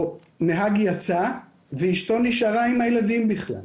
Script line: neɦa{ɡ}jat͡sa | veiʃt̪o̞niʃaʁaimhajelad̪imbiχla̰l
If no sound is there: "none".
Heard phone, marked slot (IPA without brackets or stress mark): ɡ